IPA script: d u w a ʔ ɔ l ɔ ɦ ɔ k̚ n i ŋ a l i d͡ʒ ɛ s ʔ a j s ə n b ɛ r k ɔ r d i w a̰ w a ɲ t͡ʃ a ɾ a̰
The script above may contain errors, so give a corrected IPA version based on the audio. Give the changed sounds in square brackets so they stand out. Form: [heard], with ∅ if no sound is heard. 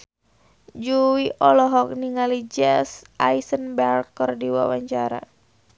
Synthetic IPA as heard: [d͡ʒ] u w [i] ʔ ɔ l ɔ ɦ ɔ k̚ n i ŋ a l i d͡ʒ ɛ s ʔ a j s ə n b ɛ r k ɔ r d i w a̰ w a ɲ t͡ʃ a ɾ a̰